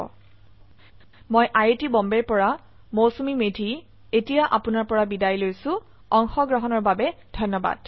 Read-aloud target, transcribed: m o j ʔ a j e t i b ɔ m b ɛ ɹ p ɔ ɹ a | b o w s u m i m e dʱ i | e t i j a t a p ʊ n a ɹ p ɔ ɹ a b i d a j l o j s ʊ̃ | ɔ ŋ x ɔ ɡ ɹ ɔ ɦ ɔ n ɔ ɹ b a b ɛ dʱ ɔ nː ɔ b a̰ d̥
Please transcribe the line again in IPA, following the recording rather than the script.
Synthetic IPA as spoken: m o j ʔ a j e t i b ɔ m b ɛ ɹ p ɔ ɹ a | m o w s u m i m e dʱ i | e t i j a ʔ a p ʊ n a ɹ p ɔ ɹ a b i d a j l o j s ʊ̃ | ɔ ŋ x ɔ ɡ ɹ ɔ ɦ ɔ n ɔ ɹ b a b ɛ dʱ ɔ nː ɔ b a̰ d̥